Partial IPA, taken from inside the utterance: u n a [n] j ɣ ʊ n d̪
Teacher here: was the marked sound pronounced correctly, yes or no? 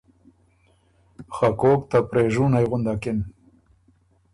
no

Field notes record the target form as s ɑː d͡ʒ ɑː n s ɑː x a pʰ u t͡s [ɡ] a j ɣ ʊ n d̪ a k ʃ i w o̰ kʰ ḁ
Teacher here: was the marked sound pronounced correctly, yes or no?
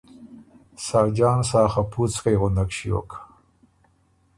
no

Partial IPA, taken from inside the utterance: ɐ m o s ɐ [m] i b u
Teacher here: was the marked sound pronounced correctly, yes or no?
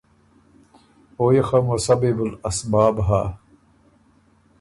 no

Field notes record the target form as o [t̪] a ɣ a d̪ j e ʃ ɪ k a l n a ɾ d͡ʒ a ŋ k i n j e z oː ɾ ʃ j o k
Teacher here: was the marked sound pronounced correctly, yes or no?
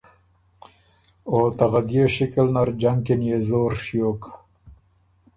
yes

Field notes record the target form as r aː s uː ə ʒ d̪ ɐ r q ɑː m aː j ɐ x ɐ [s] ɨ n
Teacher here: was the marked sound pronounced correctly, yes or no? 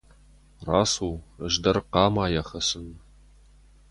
yes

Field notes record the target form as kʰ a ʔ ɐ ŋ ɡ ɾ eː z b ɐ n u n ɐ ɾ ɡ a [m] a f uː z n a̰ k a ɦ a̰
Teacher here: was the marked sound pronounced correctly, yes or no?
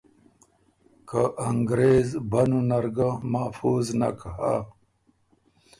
yes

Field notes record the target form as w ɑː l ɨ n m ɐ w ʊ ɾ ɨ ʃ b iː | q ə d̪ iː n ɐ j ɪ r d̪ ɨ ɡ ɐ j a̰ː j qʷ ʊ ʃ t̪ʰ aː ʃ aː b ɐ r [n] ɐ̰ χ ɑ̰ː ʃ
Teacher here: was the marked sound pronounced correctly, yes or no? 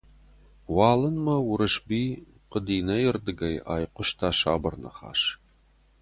yes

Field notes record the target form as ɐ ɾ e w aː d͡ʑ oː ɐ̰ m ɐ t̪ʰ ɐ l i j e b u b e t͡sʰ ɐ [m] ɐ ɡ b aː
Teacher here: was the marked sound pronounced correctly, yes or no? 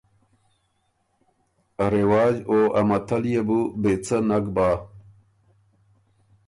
no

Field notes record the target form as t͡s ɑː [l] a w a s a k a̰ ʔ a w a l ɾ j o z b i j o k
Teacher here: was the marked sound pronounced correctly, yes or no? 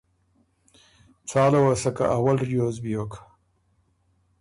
yes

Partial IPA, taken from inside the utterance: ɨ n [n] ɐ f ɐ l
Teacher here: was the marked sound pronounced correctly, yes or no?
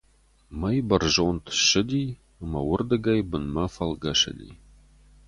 no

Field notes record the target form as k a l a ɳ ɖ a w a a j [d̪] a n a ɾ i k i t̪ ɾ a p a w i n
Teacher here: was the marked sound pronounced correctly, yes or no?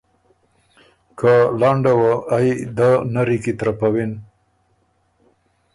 yes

